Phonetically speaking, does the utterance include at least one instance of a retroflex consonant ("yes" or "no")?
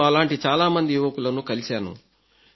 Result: yes